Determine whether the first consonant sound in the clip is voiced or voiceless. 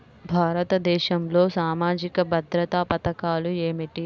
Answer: voiced